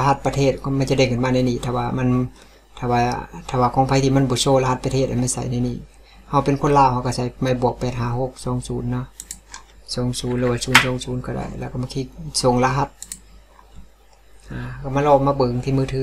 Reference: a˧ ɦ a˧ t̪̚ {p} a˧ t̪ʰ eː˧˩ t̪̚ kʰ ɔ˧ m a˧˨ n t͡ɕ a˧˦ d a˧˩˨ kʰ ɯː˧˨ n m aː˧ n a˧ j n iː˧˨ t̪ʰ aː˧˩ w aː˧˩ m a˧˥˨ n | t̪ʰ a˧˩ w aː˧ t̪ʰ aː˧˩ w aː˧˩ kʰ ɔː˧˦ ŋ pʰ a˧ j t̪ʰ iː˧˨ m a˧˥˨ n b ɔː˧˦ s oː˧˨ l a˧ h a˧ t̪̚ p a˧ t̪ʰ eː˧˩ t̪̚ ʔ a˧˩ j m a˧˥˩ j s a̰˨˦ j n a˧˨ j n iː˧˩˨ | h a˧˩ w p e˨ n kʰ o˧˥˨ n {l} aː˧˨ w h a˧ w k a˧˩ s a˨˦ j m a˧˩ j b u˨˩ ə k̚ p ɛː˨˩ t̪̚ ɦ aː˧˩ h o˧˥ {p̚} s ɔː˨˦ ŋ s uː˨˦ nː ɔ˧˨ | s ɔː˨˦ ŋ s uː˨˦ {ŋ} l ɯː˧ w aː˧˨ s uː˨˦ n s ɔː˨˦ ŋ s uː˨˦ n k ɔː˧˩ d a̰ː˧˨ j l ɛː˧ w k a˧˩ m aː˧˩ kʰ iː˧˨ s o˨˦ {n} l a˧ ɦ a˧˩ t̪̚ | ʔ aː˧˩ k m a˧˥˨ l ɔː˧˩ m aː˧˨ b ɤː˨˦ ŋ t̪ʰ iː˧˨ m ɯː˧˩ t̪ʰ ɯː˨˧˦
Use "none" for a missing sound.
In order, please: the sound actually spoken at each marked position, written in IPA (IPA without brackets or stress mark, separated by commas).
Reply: p, l, k̚, n, ŋ